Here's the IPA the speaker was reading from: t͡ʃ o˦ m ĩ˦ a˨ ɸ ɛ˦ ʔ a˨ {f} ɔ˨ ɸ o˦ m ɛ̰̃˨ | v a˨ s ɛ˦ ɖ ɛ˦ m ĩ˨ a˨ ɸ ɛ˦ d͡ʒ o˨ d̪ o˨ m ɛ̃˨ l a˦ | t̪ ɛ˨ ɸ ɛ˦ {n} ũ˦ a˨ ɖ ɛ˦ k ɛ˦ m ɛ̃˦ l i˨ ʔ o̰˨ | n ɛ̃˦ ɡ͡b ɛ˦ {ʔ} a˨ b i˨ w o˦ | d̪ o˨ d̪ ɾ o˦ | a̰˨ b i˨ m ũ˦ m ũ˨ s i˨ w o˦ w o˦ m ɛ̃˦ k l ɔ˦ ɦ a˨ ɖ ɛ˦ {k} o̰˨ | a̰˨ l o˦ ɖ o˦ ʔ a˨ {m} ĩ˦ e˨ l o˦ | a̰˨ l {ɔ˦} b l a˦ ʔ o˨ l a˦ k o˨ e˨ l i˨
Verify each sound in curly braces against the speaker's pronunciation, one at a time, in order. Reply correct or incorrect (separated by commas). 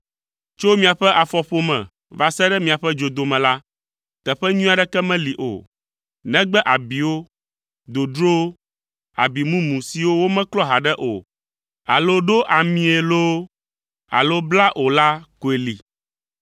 correct, incorrect, correct, incorrect, correct, incorrect